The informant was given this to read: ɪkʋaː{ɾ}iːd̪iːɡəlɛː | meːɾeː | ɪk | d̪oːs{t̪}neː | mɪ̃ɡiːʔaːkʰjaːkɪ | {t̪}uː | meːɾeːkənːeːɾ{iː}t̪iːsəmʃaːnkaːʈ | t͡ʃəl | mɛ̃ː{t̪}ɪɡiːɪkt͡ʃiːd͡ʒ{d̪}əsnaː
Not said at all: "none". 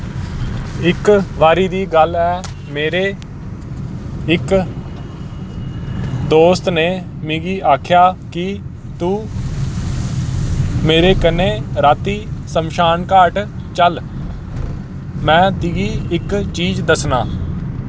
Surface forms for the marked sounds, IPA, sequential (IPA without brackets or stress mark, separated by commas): ɾ, t̪, t̪, aː, t̪, d̪